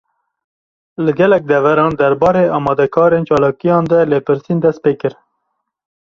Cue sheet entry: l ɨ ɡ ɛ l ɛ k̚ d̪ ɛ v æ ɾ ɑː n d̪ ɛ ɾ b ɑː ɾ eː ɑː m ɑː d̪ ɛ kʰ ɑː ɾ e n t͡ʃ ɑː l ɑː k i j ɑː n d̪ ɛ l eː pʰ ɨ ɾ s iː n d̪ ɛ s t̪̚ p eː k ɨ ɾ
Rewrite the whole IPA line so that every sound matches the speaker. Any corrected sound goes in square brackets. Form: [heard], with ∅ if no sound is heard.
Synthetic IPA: l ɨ ɡ ɛ l ɛ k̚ d̪ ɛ v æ ɾ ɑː n d̪ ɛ ɾ b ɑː ɾ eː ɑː m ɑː d̪ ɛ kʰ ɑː ɾ e n t͡ʃ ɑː l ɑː k i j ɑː n d̪ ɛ l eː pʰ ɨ ɾ s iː n d̪ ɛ s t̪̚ p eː k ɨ ɾ

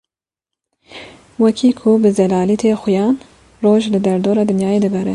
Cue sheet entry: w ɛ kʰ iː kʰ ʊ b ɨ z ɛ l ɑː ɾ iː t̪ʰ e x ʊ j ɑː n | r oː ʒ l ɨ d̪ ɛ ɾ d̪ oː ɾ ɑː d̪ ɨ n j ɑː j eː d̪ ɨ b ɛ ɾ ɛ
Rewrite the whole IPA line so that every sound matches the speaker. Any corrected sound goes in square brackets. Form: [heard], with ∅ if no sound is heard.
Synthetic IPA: w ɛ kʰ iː kʰ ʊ b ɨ z ɛ l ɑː [l] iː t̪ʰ e x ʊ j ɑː n | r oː ʒ l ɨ d̪ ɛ ɾ d̪ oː ɾ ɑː d̪ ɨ n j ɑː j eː d̪ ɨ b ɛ ɾ ɛ

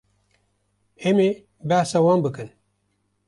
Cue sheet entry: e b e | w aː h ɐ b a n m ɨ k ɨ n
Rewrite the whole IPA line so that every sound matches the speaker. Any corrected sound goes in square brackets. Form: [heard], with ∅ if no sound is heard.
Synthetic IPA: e [m] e | [b] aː [s] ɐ [w] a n [b] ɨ k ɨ n

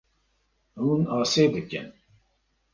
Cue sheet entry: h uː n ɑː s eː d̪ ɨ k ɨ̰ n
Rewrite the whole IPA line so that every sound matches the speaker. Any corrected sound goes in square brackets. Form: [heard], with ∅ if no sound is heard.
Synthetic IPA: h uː n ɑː s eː d̪ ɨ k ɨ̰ n

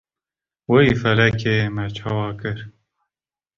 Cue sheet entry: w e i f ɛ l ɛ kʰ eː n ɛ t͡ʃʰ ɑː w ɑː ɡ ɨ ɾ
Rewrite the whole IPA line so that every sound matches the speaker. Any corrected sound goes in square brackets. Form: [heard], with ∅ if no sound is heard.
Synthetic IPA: w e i f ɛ l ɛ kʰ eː [m] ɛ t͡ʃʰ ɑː w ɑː [k] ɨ ɾ

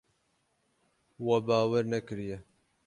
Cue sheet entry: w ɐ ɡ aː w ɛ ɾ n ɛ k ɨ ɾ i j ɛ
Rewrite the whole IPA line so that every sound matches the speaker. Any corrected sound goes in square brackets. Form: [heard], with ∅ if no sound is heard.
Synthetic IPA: w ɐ [b] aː w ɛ ɾ n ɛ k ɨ ɾ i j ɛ

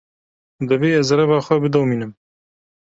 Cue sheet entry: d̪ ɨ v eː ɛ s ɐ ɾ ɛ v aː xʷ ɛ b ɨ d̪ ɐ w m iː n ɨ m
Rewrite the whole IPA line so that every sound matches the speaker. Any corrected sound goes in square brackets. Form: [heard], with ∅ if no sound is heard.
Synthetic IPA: d̪ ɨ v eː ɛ [z] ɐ ɾ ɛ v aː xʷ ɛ b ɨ d̪ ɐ w m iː n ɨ m

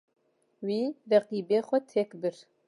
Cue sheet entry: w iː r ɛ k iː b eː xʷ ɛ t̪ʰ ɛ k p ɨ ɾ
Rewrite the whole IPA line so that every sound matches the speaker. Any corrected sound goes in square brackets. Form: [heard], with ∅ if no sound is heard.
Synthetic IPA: w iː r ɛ [q] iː b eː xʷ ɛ t̪ʰ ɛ k [b] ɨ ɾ

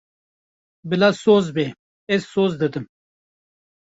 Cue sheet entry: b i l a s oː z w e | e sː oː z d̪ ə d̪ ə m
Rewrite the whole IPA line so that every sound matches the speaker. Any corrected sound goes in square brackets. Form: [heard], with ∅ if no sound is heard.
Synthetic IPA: b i l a s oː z [b] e | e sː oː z d̪ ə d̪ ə m

